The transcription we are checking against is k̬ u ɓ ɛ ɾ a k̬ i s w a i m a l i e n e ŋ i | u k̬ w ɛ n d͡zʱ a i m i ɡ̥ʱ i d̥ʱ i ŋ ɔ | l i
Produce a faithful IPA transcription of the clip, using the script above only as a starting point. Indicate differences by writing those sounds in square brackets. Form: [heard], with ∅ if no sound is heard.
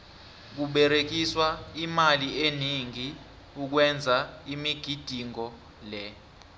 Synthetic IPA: k̬ u ɓ ɛ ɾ [e] k̬ i s w a i m a l i e n [i] ŋ i | u k̬ w ɛ n d͡zʱ a i m i ɡ̥ʱ i d̥ʱ i ŋ ɔ | l [ɛ]